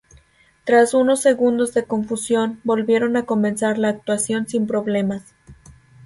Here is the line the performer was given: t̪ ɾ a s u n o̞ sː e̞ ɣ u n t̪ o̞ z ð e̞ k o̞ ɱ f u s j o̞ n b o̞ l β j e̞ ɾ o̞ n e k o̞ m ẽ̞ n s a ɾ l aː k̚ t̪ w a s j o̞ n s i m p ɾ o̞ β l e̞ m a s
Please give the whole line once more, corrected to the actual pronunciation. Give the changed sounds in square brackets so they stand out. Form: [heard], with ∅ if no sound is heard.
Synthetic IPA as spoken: t̪ ɾ a s u n o̞ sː e̞ ɣ u n [d̪] o̞ z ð e̞ k o̞ ɱ f u s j o̞ n b o̞ l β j e̞ ɾ o̞ n [a] k o̞ m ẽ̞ n s a ɾ l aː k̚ t̪ w a s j o̞ n s i m p ɾ o̞ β l e̞ m a s